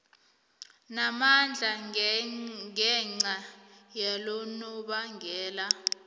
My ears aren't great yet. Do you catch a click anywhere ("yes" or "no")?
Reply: yes